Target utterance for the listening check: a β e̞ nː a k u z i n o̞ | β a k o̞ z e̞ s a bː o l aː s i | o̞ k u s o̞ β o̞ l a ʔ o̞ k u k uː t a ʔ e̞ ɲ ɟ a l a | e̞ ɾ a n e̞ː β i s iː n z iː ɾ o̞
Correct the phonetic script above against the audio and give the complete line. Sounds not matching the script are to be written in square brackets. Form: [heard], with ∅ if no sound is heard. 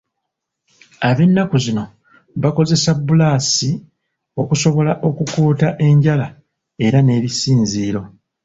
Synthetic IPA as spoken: a β e̞ nː a k u z i n o̞ | β a k o̞ z e̞ s a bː [u] l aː s i | o̞ k u s o̞ β o̞ l a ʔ o̞ k u k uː t a ʔ e̞ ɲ ɟ a l a | e̞ ɾ a n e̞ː β i s iː n z iː ɾ o̞